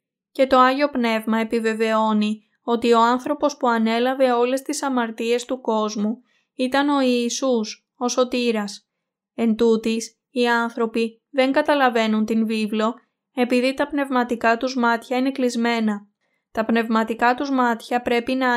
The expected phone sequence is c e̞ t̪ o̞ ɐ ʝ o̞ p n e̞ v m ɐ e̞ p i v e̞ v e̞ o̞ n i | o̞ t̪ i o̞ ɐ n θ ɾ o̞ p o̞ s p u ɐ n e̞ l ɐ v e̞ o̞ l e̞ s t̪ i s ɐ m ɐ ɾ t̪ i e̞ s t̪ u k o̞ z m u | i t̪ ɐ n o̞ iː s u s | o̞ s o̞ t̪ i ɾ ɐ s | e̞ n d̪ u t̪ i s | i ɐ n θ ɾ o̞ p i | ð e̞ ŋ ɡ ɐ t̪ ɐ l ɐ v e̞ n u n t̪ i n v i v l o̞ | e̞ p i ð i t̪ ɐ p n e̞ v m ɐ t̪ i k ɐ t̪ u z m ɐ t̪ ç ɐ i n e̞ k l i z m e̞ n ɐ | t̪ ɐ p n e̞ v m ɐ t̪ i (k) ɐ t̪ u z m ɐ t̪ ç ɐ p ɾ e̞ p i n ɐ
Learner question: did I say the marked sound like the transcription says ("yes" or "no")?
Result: yes